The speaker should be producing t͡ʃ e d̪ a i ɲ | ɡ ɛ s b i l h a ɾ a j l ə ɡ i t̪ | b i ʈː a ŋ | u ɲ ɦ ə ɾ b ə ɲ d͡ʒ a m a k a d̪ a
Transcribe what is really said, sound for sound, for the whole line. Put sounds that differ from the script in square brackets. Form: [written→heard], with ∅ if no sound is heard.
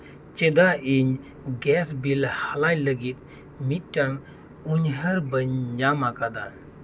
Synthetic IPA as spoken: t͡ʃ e d̪ a i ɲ | ɡ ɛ s b i l h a [ɾ→l] a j l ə ɡ i t̪ | [b→m] i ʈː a ŋ | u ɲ ɦ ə ɾ b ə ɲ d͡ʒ a m a k a d̪ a

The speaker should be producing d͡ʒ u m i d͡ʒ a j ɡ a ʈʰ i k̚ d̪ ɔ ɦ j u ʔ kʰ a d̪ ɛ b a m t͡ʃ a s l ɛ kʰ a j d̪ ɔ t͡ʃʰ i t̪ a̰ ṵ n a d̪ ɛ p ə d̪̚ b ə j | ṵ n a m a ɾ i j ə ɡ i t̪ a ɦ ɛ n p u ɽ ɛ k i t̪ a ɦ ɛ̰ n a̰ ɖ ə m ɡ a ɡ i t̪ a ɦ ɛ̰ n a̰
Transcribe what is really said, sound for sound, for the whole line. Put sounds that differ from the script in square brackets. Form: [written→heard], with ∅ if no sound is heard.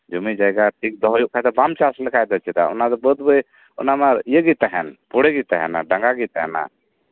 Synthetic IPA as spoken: d͡ʒ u m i d͡ʒ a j ɡ a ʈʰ i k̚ d̪ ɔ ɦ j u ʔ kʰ a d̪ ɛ b a m t͡ʃ a s l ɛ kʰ a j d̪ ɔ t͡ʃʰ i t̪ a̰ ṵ n a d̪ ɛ [p→b] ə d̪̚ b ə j | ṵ n a m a ɾ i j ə ɡ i t̪ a ɦ ɛ n p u ɽ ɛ [k→ɡ] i t̪ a ɦ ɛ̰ n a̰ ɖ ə [m→ŋ] ɡ a ɡ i t̪ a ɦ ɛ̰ n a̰

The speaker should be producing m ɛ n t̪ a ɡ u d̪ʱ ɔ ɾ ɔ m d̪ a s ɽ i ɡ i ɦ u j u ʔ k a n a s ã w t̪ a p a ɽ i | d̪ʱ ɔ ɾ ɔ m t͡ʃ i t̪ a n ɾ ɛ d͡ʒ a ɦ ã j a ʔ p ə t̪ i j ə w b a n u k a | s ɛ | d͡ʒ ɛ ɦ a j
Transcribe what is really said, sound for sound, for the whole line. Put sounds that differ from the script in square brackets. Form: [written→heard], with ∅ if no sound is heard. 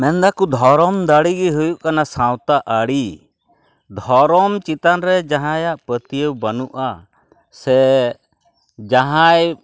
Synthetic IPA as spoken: m ɛ n [t̪→d̪] a [ɡ→k] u d̪ʱ ɔ ɾ ɔ m d̪ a [s→∅] ɽ i ɡ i ɦ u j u ʔ k a n a s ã w t̪ a [p→ʔ] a ɽ i | d̪ʱ ɔ ɾ ɔ m t͡ʃ i t̪ a n ɾ ɛ d͡ʒ a ɦ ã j a ʔ p ə t̪ i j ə w b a n u [k→ʔ] a | s ɛ | d͡ʒ [ɛ→a] ɦ a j

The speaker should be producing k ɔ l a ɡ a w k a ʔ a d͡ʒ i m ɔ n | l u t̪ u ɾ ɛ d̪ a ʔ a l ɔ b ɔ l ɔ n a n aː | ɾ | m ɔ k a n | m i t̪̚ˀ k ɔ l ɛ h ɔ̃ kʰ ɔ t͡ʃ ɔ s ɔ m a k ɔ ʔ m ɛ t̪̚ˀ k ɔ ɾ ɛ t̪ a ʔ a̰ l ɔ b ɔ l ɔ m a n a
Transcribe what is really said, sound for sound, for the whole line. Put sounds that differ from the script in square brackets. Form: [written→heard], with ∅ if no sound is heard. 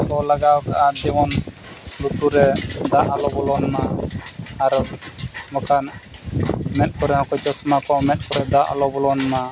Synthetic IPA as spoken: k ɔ l a ɡ a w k a ʔ a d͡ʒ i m ɔ n | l u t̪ u ɾ ɛ d̪ a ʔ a l ɔ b ɔ l ɔ n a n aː | ɾ | m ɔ k a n | m [i→ɛ] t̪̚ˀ k ɔ [l→ɾ] ɛ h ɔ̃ [kʰ→k] ɔ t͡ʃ ɔ s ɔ m a k ɔ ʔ m ɛ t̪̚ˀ k ɔ ɾ ɛ [t̪→d̪] a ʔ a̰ l ɔ b ɔ l ɔ [m→n] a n a

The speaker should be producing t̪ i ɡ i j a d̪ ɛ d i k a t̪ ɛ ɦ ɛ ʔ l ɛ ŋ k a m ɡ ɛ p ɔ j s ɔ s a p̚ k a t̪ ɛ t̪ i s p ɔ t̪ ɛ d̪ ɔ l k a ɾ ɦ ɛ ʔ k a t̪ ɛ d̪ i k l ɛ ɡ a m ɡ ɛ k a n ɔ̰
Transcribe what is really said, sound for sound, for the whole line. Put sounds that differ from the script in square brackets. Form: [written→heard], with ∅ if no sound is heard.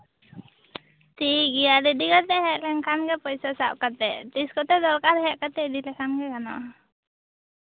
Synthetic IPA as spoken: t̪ i ɡ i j a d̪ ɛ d i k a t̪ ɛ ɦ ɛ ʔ l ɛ ŋ k a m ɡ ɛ p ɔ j s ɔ s a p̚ k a t̪ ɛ t̪ i s [p→k] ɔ t̪ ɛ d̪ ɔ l k a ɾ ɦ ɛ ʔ k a t̪ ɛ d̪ i [k→∅] l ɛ [ɡ→k] a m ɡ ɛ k a n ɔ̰

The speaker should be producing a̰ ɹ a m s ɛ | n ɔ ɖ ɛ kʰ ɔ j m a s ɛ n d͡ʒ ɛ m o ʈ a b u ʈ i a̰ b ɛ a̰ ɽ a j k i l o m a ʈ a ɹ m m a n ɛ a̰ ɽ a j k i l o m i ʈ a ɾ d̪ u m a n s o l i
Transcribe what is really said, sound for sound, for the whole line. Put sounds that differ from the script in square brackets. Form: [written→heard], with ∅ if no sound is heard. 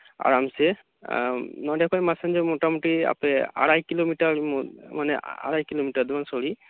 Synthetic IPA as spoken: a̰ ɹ a m s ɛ | n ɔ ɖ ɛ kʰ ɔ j m a s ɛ n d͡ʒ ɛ m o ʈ a [b→m] u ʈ i a̰ [b→p] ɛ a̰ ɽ a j k i l o m [a→i] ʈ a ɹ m m a n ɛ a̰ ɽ a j k i l o m i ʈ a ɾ d̪ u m a n s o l i

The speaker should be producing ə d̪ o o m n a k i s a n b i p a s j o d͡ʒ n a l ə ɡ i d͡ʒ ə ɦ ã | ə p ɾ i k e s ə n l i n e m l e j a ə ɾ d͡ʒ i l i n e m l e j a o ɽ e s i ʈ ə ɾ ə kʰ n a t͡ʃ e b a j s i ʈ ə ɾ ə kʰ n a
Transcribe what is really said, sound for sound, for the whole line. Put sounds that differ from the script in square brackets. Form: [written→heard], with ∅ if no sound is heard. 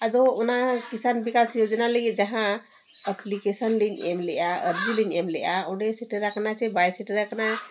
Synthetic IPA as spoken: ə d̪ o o [m→∅] n a k i s a n b i [p→k] a s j o d͡ʒ n a l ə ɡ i d͡ʒ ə ɦ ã | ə p [ɾ→l] i k e s ə n l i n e m l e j a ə ɾ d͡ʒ i l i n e m l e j a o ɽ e s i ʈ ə ɾ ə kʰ n a t͡ʃ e b a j s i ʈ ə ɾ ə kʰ n a

